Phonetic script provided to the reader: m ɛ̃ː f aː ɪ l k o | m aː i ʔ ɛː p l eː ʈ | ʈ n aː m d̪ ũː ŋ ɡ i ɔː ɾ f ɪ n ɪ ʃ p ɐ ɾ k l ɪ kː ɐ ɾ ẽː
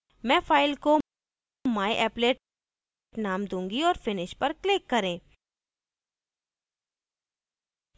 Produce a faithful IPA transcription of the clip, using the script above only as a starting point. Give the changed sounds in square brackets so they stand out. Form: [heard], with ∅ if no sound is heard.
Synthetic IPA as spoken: m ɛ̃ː f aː ɪ l k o | m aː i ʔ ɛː p l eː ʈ | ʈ n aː m d̪ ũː ŋ ɡ i ɔː ɾ f ɪ n ɪ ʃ p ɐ ɾ k l ɪ kː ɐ ɾ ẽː